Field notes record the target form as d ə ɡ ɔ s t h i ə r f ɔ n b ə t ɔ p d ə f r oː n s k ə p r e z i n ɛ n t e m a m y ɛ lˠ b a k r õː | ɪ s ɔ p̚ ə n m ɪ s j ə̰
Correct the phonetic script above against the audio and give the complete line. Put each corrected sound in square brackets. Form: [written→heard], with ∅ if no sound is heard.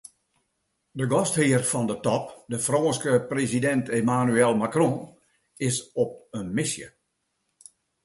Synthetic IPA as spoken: d ə ɡ ɔ s t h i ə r f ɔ n [b→d] ə t ɔ p d ə f r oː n s k ə p r e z i [n→d] ɛ n t e m a [m→n] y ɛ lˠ [b→m] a k r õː | ɪ s ɔ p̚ ə n m ɪ s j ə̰